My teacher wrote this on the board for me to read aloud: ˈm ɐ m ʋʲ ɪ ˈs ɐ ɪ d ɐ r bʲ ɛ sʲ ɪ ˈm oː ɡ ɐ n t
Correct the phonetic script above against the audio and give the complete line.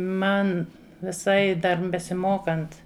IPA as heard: ˈm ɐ n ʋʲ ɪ ˈs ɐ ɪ d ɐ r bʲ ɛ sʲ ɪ ˈm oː k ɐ n t